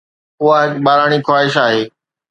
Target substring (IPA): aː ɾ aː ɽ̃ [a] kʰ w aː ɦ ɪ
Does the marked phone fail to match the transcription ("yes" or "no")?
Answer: yes